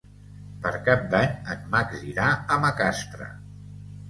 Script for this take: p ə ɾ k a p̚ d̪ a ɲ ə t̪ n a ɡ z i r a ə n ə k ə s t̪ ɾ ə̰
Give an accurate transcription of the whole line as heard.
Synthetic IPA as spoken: p ə ɾ k a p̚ d̪ a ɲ ə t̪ m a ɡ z i ɾ a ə m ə k a s t̪ ɾ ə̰